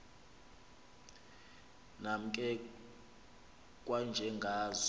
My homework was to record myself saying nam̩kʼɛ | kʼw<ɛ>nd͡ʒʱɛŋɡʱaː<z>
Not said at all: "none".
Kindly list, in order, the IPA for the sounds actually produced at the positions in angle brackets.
a, z

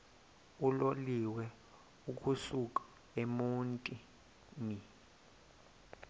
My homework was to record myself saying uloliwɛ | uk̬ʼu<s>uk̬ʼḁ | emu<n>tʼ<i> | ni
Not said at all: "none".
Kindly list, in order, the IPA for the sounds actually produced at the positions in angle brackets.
s, n, i

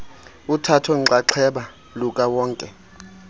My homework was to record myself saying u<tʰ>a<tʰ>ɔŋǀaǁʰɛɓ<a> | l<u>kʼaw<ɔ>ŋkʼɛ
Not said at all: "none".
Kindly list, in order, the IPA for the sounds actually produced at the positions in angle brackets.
tʰ, tʰ, a, u, ɔː

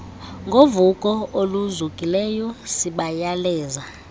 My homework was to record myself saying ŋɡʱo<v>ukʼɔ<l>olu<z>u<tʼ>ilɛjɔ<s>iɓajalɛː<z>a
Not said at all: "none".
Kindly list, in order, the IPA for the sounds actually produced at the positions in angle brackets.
v, none, z, kʼ, s, z

